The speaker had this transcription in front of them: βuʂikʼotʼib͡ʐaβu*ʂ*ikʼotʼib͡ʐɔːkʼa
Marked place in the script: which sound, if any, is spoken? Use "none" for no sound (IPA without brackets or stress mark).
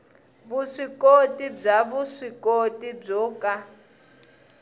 ʂ